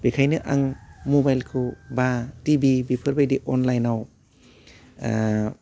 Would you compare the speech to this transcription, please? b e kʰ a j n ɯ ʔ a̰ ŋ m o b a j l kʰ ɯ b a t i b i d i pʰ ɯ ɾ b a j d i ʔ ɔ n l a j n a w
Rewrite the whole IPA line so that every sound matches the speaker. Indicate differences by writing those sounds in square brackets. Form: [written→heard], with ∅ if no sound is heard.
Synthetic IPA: b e kʰ a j n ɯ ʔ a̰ ŋ m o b a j l kʰ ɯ b a t i b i [d→b] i pʰ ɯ ɾ b a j d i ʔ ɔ n l a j n a w